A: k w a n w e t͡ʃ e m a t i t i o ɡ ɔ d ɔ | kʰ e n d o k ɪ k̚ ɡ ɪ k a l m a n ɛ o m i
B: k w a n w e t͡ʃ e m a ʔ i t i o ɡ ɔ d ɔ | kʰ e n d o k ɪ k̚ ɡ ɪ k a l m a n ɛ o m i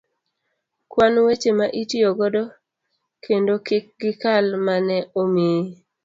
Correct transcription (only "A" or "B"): B